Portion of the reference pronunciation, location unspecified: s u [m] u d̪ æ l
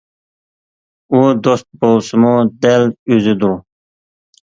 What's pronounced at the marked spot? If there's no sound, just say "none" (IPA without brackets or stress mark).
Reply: m